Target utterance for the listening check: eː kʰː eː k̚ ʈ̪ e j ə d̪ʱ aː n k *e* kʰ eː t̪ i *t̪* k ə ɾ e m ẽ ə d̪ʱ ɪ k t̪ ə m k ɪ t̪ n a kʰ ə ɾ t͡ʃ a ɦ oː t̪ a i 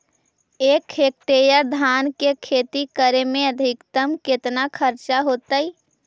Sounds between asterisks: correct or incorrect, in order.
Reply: correct, incorrect

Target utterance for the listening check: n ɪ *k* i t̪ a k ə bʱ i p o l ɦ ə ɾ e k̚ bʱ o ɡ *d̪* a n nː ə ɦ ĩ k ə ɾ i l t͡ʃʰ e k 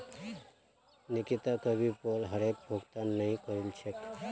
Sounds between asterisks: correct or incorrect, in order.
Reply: correct, incorrect

